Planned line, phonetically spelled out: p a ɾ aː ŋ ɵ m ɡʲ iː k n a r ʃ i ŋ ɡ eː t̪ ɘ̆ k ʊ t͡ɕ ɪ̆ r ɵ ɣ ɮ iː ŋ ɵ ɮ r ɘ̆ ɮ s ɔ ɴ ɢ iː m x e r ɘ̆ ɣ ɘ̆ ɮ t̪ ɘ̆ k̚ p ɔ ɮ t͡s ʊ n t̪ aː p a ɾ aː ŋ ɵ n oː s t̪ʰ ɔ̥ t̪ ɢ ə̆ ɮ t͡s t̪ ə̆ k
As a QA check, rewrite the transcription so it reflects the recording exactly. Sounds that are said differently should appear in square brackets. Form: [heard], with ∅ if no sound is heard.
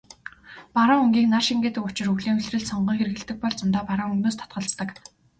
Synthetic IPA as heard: p a ɾ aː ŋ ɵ [ŋ] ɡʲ iː k n a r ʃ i ŋ ɡ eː t̪ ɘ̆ k ʊ t͡ɕ ɪ̆ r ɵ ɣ ɮ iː ŋ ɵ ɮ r ɘ̆ ɮ s ɔ ɴ ɢ iː [ŋ] x e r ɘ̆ ɣ ɘ̆ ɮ t̪ ɘ̆ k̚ p ɔ ɮ t͡s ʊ n t̪ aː p a ɾ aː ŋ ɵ n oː s t̪ʰ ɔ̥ t̪ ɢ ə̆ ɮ t͡s t̪ ə̆ k